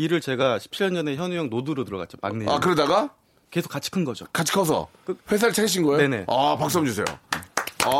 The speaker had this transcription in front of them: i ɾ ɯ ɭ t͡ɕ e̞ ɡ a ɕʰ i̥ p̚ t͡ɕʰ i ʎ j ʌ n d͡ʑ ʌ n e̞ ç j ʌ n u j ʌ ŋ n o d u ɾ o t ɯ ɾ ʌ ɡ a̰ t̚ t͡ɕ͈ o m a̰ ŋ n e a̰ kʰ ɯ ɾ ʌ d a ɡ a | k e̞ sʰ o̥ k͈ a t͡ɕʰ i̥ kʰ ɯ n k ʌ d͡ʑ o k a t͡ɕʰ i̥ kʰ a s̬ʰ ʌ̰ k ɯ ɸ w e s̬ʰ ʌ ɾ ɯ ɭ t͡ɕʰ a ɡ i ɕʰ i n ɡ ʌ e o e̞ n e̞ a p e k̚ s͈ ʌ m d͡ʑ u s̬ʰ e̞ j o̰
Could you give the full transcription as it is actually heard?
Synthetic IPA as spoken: i ɾ ɯ ɭ t͡ɕ e̞ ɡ a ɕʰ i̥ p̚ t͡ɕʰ i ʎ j ʌ n d͡ʑ ʌ n e̞ ç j ʌ n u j ʌ ŋ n o d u ɾ o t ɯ ɾ ʌ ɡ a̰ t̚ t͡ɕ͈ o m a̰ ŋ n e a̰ k ɯ ɾ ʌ d a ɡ a | k e̞ sʰ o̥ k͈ a t͡ɕʰ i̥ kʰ ɯ n ɡ ʌ d͡ʑ o k a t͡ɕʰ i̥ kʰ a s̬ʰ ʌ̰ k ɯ ɸ w e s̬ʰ a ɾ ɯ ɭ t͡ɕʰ a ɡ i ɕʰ i n ɡ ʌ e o e̞ n e̞ a p a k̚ s͈ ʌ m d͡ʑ u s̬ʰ e̞ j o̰